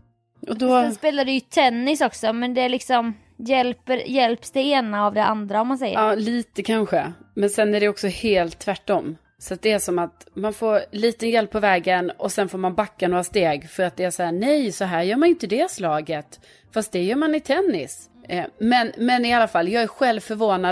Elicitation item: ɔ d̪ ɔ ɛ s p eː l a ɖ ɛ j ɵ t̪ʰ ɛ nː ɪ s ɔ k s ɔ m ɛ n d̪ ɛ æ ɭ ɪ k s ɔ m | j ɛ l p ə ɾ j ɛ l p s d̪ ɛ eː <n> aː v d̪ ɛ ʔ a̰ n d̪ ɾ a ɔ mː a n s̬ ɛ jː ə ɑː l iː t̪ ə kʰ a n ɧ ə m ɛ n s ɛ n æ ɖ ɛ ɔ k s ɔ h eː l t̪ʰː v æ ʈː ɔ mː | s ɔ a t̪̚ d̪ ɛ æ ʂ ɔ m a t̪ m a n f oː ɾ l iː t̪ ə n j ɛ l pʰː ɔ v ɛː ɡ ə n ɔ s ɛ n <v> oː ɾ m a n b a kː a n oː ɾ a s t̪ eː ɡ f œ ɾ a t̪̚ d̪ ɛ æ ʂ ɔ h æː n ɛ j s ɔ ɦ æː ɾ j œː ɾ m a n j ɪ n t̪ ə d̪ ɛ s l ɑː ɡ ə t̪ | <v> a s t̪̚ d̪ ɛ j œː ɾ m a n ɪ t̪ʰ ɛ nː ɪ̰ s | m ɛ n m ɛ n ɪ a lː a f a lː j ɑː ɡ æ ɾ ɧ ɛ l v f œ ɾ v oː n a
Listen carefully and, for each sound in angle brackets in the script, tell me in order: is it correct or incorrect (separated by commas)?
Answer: correct, incorrect, incorrect